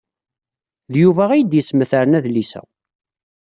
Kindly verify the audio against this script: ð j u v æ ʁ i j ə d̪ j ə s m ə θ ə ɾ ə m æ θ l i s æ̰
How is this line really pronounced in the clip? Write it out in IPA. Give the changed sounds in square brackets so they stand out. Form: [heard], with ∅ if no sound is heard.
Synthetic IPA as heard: ð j u v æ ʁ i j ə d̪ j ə s m ə θ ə ɾ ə [n] æ [ð] l i s æ̰

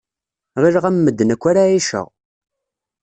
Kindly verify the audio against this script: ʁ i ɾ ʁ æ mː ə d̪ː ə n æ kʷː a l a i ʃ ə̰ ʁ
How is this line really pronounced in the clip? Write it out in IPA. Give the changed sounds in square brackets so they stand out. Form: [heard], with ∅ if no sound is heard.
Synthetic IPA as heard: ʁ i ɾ ʁ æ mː ə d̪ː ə n æ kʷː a [ɾ] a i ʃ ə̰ ʁ

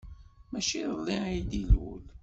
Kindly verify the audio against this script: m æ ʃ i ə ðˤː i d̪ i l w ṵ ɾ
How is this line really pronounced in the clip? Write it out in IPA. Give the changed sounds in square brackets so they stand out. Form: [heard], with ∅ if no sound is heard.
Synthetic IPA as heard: m æ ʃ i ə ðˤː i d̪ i l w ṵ [l]

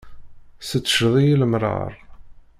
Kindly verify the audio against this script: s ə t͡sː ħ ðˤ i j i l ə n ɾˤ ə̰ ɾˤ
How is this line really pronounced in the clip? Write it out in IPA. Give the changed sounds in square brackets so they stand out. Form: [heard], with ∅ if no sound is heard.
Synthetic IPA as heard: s ə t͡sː [ʃ] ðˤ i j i l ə [m] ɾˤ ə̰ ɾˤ

